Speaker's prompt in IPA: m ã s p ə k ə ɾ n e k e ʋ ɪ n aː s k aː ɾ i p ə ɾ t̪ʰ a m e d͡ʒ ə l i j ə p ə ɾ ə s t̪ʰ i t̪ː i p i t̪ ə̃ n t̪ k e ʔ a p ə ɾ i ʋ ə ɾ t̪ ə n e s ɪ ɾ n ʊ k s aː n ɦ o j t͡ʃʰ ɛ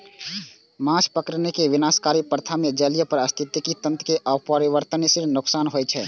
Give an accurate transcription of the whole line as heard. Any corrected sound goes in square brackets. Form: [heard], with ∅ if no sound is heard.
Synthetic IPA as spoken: m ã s p ə k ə ɾ n e k e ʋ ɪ n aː s k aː ɾ i p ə ɾ t̪ʰ a m e d͡ʒ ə l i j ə p ə ɾ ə s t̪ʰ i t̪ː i [k] i t̪ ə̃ n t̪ k e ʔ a p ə ɾ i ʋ ə ɾ t̪ ə n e s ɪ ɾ n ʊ k s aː n ɦ o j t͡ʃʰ ɛ

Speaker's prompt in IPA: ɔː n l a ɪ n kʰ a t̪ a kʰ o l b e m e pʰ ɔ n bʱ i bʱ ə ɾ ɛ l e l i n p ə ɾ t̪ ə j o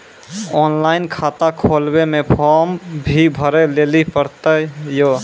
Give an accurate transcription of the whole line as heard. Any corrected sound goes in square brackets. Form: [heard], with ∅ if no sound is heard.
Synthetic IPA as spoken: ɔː n l a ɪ n kʰ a t̪ a kʰ o l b e m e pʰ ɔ [m] bʱ i bʱ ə ɾ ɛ l e l i [∅] p ə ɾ t̪ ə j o

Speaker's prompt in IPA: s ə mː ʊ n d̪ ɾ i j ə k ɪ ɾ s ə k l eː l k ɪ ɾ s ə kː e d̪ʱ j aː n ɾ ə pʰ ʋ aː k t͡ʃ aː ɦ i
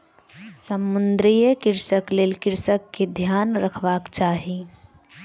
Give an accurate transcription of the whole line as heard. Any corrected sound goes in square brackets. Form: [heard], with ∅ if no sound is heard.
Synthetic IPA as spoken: s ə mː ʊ n d̪ ɾ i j ə k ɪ ɾ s ə k l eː l k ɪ ɾ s ə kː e d̪ʱ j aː n ɾ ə [kʰ] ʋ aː k t͡ʃ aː ɦ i

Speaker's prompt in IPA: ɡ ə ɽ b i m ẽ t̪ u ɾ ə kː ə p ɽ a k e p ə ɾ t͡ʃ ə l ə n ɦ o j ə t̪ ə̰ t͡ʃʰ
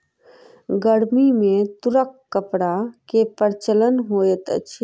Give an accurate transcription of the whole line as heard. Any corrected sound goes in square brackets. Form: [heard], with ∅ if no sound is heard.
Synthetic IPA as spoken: ɡ ə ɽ [m] i m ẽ t̪ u ɾ ə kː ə p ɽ a k e p ə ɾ t͡ʃ ə l ə n ɦ o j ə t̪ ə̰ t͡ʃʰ

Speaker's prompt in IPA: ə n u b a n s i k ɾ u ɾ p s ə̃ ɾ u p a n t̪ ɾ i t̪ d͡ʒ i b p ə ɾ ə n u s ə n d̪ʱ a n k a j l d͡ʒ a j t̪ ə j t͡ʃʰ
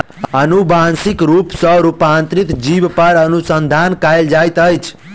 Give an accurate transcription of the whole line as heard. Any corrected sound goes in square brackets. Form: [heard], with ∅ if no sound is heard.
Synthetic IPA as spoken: ə n u b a n s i k ɾ u [∅] p s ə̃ ɾ u p a n t̪ ɾ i t̪ d͡ʒ i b p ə ɾ ə n u s ə n d̪ʱ a n k a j l d͡ʒ a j t̪ ə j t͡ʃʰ

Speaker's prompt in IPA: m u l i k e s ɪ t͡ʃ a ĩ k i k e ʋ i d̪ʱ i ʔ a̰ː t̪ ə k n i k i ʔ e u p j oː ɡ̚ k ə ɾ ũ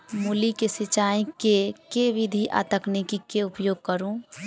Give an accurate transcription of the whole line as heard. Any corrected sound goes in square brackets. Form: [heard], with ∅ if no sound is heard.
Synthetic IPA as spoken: m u l i k e s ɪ t͡ʃ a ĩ k [e] k e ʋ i d̪ʱ i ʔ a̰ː t̪ ə k n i k i [k] e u p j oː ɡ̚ k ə ɾ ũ

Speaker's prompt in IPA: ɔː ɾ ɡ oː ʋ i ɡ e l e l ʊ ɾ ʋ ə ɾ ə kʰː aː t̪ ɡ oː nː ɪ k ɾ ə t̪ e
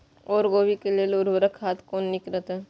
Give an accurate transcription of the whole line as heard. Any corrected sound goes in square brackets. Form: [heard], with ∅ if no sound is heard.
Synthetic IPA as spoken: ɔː ɾ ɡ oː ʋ i [k] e l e l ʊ ɾ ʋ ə ɾ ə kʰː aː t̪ [k] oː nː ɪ k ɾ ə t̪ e

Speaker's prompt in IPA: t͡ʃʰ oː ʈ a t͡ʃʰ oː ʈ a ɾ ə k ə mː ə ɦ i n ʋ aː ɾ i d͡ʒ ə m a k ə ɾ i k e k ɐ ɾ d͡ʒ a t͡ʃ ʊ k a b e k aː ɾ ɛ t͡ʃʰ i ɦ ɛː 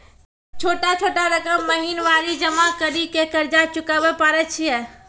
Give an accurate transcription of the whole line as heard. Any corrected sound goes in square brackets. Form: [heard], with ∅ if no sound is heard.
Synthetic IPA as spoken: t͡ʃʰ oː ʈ a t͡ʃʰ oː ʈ a ɾ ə k ə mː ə ɦ i n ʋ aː ɾ i d͡ʒ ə m a k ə ɾ i k e k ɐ ɾ d͡ʒ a t͡ʃ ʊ k a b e [p] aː ɾ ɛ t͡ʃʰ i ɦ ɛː

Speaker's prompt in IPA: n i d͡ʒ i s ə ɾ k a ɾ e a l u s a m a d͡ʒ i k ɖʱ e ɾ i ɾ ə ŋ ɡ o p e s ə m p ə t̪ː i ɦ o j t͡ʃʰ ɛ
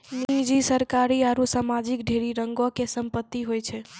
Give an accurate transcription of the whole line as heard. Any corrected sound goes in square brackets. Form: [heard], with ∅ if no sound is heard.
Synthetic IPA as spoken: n i d͡ʒ i s ə ɾ k a ɾ [i] a [ɾ] u s a m a d͡ʒ i k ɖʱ e ɾ i ɾ ə ŋ ɡ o [k] e s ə m p ə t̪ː i ɦ o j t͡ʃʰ ɛ

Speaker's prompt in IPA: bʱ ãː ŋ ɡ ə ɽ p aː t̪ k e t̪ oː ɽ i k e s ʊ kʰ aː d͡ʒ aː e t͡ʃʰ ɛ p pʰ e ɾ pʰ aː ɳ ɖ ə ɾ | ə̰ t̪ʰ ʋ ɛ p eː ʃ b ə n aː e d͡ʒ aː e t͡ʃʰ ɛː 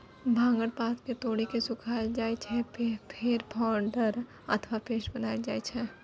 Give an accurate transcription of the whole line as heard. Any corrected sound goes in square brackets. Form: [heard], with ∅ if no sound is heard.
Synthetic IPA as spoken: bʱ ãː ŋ ɡ ə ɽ p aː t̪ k e t̪ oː ɽ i k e s ʊ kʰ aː d͡ʒ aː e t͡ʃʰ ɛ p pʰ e ɾ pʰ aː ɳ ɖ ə ɾ | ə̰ t̪ʰ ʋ [a] p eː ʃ b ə n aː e d͡ʒ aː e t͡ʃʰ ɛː

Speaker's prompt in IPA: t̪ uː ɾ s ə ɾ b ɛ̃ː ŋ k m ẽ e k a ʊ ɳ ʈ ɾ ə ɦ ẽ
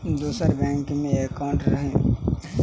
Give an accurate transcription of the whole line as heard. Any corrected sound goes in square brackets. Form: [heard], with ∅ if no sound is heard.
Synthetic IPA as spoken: [d̪] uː [∅] s ə ɾ b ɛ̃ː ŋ k m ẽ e k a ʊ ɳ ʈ ɾ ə ɦ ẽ

